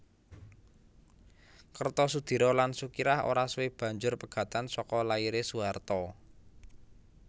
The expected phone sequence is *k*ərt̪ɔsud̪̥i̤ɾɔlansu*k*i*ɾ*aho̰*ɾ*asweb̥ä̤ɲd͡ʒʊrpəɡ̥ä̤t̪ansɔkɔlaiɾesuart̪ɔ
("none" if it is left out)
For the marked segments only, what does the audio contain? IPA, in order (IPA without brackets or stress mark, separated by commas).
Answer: k, k, ɾ, ɾ